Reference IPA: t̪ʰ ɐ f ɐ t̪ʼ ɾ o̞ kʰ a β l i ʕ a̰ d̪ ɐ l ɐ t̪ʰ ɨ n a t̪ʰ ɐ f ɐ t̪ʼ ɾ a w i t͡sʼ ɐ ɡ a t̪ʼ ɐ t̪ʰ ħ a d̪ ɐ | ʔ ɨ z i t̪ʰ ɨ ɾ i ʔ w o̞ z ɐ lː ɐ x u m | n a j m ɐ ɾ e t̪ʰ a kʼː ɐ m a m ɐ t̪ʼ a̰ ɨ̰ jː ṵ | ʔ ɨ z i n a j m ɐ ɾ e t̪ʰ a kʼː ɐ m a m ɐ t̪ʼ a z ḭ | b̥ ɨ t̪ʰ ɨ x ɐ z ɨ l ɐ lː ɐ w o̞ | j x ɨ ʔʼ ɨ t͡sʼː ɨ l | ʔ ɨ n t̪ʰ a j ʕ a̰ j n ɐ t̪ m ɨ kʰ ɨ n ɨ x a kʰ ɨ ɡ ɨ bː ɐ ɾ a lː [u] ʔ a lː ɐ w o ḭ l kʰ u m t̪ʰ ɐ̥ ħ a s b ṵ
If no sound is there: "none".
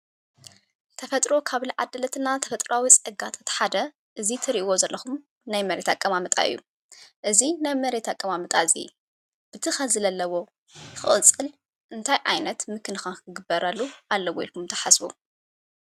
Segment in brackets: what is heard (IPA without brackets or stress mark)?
u